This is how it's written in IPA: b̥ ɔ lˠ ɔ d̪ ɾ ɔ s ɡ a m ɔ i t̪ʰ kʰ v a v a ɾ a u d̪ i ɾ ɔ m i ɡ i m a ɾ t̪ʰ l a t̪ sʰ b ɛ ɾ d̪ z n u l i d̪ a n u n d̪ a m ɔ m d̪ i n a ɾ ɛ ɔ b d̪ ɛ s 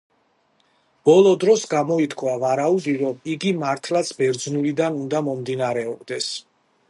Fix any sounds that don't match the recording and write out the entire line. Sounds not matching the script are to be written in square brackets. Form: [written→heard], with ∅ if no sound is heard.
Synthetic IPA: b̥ ɔ lˠ ɔ d̪ ɾ ɔ s ɡ a m ɔ i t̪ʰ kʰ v a v a ɾ a u d̪ i ɾ ɔ m i ɡ i m a ɾ t̪ʰ l a t̪ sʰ b ɛ ɾ d̪ z n u l i d̪ a n u n d̪ a m ɔ m d̪ i n a ɾ ɛ ɔ b d̪ ɛ s